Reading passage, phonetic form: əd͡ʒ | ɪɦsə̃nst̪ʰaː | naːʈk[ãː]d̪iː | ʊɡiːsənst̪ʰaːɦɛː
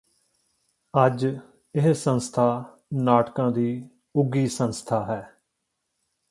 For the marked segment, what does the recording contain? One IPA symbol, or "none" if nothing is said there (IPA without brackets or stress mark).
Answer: ãː